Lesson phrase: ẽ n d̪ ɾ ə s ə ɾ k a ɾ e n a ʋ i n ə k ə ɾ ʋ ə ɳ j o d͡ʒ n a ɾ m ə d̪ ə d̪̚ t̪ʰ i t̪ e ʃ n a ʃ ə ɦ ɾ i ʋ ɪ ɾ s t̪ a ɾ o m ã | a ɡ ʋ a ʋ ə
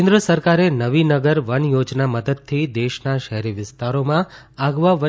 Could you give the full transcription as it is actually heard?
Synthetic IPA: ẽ n d̪ ɾ ə s ə ɾ k a ɾ e n ə ʋ i n ə ɡ ə ɾ ʋ ə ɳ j o d͡ʒ n a m ə d̪ ə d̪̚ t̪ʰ i d̪ e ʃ n a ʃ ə ɦ ɾ i ʋ ɪ s t̪ a ɾ o m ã | a ɡ ʋ a ʋ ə